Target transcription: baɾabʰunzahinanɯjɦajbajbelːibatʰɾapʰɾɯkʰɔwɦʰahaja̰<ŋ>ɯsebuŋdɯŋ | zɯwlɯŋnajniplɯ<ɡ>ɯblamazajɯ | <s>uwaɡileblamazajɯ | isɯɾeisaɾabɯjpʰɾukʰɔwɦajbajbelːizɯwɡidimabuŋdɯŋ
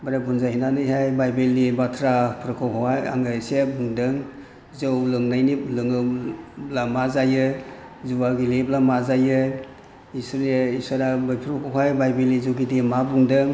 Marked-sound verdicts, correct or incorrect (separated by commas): correct, incorrect, incorrect